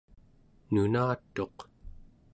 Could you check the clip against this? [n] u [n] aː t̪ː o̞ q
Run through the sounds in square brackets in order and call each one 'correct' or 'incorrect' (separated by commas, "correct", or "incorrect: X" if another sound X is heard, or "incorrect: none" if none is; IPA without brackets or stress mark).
correct, correct